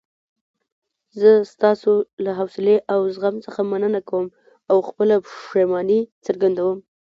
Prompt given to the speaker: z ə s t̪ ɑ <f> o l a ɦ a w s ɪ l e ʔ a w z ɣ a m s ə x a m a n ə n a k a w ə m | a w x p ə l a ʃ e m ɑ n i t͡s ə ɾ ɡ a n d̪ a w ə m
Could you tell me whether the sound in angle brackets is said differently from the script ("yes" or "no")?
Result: yes